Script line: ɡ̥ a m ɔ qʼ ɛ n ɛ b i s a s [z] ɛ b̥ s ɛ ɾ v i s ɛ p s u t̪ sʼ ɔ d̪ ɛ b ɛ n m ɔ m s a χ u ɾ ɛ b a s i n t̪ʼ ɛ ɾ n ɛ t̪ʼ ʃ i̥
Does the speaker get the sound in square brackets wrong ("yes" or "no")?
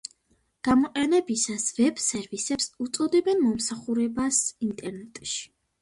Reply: yes